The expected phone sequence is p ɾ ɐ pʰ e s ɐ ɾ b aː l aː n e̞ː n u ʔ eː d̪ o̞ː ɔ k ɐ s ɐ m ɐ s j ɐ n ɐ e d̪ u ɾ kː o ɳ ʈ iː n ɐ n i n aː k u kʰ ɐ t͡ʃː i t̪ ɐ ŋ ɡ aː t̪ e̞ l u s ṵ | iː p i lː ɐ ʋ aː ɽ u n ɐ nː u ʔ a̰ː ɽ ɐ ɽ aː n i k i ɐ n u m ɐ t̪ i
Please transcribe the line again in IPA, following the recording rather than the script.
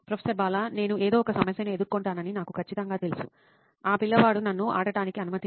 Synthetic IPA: p ɾ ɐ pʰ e s ɐ ɾ b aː l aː n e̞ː n u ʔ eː d̪ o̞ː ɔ k ɐ s ɐ m ɐ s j ɐ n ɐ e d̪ u ɾ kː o ɳ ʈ aː n ɐ n i n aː k u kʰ ɐ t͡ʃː i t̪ ɐ ŋ ɡ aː t̪ e̞ l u s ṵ | aː p i lː ɐ ʋ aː ɽ u n ɐ nː u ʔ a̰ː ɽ ɐ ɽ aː n i k i ɐ n u m ɐ t̪ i